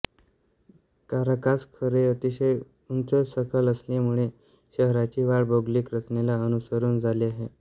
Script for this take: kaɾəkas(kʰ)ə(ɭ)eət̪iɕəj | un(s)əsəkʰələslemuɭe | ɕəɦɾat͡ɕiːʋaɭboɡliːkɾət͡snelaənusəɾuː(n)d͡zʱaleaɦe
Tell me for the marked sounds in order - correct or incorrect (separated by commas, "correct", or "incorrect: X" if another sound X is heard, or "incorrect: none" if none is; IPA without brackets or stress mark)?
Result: correct, incorrect: ɾ, incorrect: t͡s, correct